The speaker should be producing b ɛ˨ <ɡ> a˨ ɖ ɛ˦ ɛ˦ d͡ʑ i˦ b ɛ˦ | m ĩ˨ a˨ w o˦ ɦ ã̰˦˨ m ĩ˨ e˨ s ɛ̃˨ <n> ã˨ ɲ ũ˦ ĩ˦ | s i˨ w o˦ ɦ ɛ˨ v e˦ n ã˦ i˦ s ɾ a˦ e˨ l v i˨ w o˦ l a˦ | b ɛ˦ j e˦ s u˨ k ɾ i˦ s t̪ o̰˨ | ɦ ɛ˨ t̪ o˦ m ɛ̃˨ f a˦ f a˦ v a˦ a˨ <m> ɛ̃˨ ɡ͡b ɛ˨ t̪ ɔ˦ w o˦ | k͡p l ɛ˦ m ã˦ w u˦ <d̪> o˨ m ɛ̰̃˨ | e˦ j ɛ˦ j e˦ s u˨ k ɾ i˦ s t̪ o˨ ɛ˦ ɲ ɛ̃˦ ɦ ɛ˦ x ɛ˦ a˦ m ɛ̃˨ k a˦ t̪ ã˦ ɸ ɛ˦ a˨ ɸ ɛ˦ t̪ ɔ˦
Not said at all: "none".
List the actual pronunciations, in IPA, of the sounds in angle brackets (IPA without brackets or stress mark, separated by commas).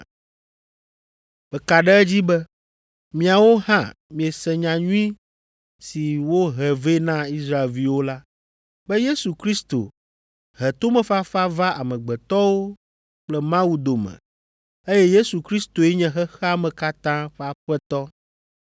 k, ɲ, m, d̪